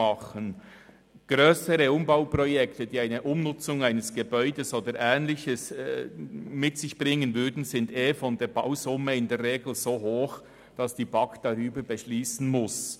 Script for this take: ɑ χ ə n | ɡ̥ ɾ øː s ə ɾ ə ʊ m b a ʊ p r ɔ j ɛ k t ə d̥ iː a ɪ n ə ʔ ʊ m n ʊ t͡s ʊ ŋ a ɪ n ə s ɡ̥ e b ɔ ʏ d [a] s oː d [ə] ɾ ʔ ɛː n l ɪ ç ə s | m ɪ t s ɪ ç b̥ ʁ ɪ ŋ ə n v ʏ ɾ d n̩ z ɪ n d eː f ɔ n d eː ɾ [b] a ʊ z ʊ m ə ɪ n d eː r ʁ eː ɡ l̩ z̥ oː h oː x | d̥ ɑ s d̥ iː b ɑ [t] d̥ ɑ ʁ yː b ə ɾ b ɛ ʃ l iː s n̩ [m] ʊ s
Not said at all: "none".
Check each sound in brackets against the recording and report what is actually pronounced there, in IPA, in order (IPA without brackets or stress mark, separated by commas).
ə, ə, b, k, m